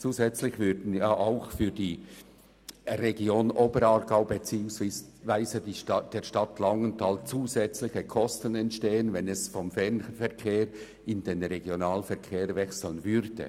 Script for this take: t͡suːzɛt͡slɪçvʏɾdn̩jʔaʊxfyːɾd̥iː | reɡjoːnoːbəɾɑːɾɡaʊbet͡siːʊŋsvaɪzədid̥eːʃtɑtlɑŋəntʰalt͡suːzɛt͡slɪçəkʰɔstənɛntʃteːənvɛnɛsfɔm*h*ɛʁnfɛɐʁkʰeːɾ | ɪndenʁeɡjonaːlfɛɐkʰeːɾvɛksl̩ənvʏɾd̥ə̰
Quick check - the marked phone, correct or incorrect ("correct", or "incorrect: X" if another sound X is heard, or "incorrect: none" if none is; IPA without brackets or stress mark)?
incorrect: f